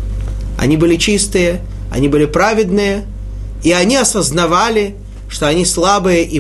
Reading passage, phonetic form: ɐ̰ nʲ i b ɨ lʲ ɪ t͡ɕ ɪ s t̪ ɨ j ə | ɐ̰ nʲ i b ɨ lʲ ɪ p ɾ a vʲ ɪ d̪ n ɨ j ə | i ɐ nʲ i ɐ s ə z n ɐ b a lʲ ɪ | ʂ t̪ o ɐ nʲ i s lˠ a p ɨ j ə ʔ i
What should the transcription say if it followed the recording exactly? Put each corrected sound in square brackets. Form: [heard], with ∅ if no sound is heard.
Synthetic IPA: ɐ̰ nʲ i b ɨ lʲ ɪ t͡ɕ [i] s t̪ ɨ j ə | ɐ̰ nʲ i b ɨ lʲ ɪ p ɾ a vʲ ɪ d̪ n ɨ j ə | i ɐ nʲ i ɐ s ə z n ɐ [v] a lʲ ɪ | ʂ t̪ o ɐ nʲ i s lˠ a [b] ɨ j ə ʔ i